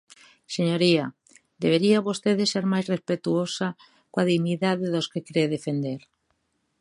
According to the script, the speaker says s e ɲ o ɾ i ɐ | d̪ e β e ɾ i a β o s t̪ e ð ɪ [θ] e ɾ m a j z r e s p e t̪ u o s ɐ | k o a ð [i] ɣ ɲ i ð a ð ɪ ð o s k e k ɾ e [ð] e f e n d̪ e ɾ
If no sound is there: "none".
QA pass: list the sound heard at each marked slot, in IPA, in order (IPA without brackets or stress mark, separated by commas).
s, i, ð